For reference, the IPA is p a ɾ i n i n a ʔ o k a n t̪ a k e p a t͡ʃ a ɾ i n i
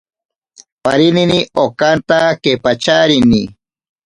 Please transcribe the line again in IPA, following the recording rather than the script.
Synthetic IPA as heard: p a ɾ i n i n i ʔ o k a n t̪ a k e p a t͡ʃ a ɾ i n i